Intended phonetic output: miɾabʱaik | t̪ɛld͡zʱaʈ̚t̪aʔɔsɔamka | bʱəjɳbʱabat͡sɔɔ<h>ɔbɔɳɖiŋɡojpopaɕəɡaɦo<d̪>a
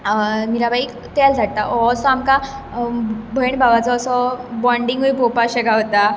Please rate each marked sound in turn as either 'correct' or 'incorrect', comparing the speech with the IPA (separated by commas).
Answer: incorrect, incorrect